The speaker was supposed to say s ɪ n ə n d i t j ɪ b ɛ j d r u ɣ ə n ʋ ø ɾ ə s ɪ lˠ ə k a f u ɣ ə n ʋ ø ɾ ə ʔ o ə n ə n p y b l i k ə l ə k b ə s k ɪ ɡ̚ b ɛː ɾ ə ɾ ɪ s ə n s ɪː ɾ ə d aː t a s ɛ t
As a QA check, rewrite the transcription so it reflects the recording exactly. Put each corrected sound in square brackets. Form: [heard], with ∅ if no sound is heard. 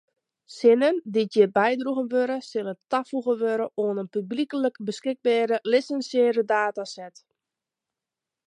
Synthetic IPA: s ɪ n ə n d i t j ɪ b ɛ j d r u ɣ ə n ʋ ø ɾ ə s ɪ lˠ ə [t] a f u ɣ ə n ʋ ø ɾ ə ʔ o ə n ə n p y b l i k ə l ə k b ə s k ɪ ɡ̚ b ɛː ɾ ə [l] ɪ s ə n s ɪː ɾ ə d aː t a s ɛ t